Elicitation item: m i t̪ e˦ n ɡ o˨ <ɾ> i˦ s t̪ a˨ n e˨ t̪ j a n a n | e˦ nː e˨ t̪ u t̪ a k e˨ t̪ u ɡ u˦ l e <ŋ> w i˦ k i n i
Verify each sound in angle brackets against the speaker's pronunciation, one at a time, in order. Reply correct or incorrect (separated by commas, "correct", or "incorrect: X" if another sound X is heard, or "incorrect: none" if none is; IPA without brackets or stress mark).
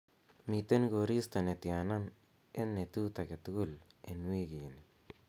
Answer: correct, incorrect: n